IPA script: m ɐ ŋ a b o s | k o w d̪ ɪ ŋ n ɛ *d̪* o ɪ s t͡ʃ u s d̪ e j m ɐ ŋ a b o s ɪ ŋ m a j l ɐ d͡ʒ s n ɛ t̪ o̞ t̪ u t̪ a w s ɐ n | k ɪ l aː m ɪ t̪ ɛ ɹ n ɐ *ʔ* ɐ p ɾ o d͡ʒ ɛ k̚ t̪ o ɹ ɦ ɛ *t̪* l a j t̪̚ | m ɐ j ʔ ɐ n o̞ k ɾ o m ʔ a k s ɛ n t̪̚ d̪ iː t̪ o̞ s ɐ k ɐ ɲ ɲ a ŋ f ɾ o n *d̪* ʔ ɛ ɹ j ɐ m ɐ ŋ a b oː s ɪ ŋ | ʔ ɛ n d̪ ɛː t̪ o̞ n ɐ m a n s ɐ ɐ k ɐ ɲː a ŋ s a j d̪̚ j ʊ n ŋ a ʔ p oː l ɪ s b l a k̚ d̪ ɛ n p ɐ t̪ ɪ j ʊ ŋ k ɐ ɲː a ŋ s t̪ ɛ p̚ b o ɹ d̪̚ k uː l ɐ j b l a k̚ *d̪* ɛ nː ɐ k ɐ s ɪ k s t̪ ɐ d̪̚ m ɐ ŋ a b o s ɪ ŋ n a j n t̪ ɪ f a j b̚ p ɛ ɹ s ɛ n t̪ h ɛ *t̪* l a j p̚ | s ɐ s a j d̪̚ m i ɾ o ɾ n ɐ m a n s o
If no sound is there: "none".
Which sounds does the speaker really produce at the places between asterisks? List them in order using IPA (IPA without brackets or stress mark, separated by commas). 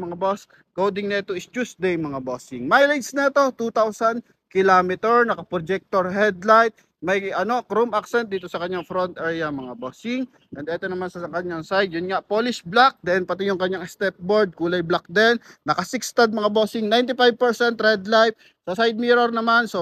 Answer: t̪, k, d̪, t̪, d̪, d̪